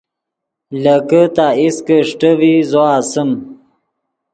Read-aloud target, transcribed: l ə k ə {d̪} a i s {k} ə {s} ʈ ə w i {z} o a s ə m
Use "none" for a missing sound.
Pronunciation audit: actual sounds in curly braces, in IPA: t̪, k, ʂ, z

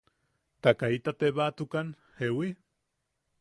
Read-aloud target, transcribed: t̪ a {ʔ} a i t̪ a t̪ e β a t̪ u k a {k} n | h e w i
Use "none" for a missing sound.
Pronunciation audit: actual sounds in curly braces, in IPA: k, none

